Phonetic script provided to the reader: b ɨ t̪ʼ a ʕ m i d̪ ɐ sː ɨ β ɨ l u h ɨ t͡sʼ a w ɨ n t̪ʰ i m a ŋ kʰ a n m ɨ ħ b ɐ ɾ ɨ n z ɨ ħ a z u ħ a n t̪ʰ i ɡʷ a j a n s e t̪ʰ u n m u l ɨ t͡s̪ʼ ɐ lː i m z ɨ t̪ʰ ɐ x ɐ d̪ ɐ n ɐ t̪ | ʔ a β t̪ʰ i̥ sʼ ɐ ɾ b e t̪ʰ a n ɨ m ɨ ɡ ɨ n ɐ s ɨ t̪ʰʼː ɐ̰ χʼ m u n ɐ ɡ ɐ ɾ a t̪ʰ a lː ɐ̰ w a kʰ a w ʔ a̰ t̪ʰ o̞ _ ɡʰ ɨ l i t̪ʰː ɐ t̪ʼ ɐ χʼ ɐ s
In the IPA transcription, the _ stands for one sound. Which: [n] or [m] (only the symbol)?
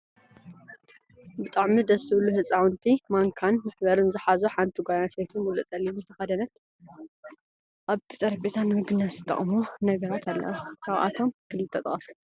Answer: m